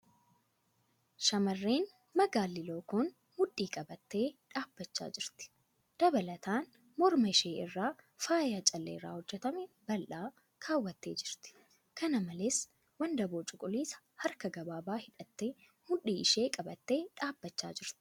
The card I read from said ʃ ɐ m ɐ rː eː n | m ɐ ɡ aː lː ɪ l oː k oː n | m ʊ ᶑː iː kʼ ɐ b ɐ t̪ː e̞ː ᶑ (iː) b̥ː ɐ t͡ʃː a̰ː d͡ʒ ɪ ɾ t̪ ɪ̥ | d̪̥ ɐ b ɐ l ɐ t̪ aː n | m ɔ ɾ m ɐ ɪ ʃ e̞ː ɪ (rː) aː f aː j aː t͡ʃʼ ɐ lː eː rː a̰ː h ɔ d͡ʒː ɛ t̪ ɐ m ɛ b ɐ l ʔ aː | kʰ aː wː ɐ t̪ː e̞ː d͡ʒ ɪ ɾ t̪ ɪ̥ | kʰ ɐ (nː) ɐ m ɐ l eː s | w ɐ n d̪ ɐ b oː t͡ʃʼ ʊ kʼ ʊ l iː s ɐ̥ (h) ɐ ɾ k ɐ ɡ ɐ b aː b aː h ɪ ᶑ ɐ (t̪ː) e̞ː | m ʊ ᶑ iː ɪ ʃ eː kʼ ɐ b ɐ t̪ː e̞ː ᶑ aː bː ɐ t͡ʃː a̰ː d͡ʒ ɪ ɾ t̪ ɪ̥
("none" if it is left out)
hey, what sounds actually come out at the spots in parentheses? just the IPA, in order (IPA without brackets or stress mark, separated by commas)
aː, rː, n, h, t̪ː